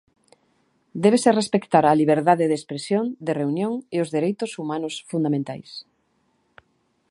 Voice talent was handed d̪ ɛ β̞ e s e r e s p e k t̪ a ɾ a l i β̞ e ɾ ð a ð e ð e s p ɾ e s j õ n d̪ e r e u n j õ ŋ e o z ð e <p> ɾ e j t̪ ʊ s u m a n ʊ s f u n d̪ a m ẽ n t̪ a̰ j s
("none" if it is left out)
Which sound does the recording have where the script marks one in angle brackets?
none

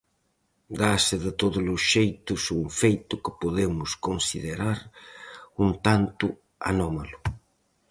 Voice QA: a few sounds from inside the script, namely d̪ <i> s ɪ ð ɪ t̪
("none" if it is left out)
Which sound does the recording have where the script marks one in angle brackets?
a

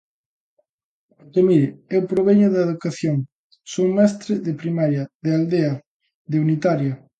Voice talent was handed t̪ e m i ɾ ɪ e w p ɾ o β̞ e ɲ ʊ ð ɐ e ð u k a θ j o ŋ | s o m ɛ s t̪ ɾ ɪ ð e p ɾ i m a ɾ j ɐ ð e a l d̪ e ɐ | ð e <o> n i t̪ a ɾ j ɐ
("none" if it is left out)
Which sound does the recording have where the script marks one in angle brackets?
u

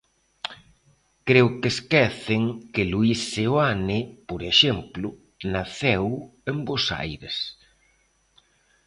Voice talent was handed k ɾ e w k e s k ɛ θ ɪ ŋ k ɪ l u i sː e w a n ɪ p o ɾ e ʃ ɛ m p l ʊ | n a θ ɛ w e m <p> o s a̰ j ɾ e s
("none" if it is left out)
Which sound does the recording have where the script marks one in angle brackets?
b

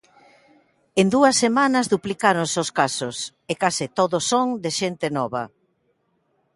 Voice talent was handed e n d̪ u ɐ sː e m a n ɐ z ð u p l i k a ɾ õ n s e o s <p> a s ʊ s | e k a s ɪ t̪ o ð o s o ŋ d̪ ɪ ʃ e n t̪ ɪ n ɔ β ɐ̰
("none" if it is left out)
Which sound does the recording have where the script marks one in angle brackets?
k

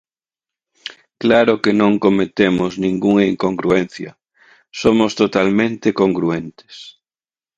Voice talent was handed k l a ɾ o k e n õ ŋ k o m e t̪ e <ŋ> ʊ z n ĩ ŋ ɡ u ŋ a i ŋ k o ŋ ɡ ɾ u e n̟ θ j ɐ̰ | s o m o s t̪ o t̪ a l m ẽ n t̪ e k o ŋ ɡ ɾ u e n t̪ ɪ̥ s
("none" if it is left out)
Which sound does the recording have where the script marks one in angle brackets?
m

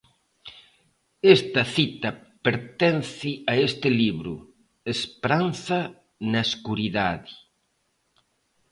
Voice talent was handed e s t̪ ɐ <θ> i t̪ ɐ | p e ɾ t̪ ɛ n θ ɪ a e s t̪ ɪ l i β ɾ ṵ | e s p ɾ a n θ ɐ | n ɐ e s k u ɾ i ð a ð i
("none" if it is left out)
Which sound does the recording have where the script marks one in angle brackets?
θ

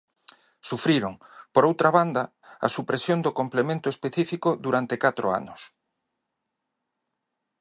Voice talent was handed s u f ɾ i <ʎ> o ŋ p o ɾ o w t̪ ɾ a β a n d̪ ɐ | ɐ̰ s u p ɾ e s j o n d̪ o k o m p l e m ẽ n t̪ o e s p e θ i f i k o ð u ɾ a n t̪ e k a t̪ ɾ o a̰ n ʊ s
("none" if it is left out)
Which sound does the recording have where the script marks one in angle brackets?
ɾ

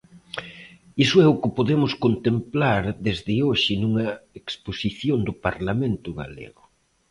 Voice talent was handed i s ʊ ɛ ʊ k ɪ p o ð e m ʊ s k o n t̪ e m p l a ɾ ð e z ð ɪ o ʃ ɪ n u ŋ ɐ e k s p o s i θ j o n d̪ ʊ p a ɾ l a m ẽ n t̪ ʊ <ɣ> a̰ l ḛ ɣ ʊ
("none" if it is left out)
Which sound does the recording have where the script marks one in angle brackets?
ɣ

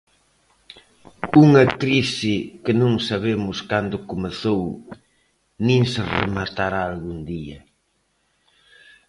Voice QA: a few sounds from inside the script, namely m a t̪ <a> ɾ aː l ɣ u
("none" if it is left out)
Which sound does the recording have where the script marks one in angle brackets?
a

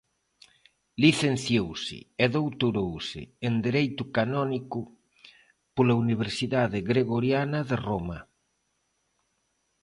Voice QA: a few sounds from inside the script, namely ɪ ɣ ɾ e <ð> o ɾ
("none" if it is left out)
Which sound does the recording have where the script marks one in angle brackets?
ɣ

